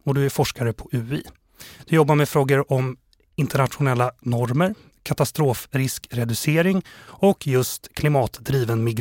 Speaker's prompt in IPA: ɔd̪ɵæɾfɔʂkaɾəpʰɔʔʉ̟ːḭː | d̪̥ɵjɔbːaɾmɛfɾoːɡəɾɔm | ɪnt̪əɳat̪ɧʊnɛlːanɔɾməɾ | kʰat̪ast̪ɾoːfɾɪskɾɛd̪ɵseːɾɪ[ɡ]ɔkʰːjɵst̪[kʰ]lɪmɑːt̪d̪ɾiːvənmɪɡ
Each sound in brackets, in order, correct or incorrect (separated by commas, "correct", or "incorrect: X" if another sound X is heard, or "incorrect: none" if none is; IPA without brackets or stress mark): incorrect: ŋ, correct